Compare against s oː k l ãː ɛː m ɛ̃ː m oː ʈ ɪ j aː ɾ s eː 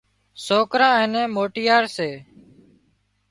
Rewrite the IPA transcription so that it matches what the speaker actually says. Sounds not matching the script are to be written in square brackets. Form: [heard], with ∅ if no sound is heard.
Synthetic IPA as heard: s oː k [ɾ] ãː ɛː [n] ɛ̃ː m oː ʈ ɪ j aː ɾ s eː